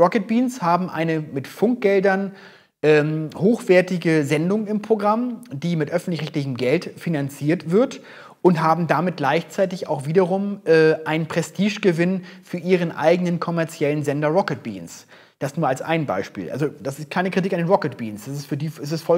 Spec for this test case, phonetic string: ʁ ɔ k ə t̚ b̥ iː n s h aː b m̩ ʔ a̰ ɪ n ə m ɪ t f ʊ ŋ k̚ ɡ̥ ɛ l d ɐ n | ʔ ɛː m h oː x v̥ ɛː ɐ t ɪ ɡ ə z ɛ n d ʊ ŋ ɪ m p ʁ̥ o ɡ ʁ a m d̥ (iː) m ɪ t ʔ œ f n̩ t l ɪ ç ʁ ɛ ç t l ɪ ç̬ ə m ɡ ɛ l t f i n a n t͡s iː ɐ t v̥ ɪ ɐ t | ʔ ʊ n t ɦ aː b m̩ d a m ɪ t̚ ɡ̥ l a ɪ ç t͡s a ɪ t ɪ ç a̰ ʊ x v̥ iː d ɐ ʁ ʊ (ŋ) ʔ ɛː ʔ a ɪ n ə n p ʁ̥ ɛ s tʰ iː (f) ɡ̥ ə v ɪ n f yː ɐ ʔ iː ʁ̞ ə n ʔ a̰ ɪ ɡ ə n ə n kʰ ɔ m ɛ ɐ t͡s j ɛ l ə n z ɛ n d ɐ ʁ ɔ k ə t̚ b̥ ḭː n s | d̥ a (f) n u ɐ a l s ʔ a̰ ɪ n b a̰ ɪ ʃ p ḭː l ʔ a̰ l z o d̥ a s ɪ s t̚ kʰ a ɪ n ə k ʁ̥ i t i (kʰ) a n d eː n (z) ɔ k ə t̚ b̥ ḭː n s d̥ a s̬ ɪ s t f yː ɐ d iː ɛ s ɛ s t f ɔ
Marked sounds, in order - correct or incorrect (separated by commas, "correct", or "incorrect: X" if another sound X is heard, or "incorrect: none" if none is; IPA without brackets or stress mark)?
correct, incorrect: m, incorrect: ʃ, incorrect: s, incorrect: k, incorrect: ʁ